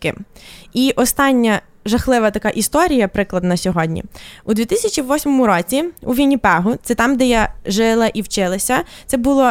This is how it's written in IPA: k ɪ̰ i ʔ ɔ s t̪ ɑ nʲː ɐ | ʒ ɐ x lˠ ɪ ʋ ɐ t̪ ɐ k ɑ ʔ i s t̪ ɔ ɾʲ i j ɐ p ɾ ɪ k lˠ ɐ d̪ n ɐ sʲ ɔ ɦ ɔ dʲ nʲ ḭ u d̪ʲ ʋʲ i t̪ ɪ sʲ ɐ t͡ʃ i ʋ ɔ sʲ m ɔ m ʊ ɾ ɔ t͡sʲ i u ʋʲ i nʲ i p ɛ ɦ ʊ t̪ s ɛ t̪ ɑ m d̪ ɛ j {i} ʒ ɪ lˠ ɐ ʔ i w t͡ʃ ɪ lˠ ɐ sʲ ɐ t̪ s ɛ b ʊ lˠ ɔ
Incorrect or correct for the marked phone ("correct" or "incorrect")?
incorrect